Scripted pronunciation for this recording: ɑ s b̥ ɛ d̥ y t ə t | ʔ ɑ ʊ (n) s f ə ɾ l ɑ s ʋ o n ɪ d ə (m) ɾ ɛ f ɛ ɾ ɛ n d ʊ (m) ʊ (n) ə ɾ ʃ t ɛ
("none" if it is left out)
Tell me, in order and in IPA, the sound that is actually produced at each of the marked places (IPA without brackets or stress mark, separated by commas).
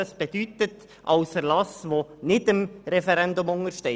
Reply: none, m, m, ŋ